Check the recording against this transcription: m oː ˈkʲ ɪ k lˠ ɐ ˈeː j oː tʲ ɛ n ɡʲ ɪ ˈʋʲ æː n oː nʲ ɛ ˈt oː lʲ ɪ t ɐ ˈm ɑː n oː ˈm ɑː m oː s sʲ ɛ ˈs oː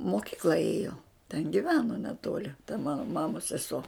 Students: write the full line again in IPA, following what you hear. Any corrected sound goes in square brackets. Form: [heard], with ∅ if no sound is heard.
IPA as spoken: m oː ˈkʲ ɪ k lˠ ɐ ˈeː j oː tʲ ɛ n ɡʲ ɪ ˈʋʲ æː n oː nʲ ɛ ˈt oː lʲ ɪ t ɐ ˈm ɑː n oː ˈm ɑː m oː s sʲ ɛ ˈs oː